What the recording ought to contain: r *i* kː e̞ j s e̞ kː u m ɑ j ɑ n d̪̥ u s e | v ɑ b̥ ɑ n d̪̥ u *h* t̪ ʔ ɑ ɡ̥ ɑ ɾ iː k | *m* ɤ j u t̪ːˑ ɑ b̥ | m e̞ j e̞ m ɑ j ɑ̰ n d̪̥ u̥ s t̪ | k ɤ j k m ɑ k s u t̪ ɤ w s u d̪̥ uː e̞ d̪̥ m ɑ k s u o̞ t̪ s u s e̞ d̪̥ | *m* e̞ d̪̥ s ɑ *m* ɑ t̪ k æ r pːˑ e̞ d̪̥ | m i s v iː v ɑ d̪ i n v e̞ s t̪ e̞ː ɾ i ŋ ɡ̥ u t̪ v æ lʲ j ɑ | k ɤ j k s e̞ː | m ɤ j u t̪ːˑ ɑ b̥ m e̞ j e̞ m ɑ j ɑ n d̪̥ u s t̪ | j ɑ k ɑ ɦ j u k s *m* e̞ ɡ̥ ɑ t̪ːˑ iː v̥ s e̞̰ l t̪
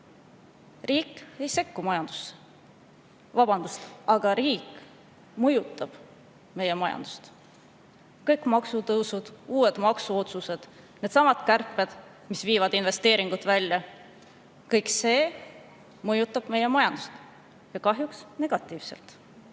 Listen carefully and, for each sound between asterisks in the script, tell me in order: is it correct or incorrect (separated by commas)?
incorrect, incorrect, correct, incorrect, correct, incorrect